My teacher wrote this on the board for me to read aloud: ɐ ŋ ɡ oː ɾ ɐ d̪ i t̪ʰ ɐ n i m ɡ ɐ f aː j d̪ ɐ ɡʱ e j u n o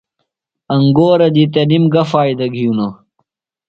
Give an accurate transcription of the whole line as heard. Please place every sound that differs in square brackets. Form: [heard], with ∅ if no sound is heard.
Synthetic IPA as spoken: ɐ ŋ ɡ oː ɾ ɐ d̪ i [t̪] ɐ n i m ɡ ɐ f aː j d̪ ɐ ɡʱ [i] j u n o